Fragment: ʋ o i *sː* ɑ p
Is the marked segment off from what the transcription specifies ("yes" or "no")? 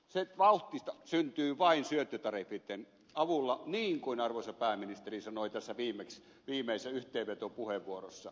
yes